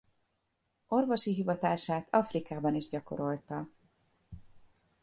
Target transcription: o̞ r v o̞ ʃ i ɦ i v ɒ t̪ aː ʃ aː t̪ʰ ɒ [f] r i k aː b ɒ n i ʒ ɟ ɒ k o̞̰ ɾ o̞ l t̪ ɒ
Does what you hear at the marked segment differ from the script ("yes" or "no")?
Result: no